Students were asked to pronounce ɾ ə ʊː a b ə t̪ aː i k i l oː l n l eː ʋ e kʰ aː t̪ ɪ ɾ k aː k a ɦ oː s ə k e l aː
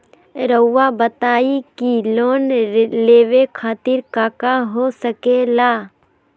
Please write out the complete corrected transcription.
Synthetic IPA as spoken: ɾ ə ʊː a b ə t̪ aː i k i l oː n l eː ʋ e kʰ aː t̪ ɪ ɾ k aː k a ɦ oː s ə k e l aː